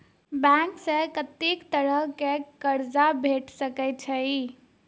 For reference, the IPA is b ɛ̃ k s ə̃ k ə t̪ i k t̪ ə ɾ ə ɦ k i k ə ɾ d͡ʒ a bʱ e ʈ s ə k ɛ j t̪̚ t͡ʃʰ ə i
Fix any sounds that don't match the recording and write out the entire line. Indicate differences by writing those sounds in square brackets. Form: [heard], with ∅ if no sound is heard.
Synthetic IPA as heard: b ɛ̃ k s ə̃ k ə t̪ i k t̪ ə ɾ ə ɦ k [e] k ə ɾ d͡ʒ a bʱ e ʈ s ə k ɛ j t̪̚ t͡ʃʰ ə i